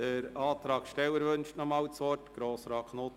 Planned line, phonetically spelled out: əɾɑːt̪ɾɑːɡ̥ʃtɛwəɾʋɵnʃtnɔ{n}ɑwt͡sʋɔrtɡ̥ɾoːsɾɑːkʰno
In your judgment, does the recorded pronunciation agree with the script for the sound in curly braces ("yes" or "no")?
no